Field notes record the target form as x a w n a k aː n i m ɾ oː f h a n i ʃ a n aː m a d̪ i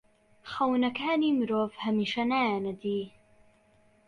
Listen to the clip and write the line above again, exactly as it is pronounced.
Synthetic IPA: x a w n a k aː n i m ɾ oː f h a m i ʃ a n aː n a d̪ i